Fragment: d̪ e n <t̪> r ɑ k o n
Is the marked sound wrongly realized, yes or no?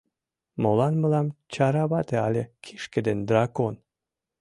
yes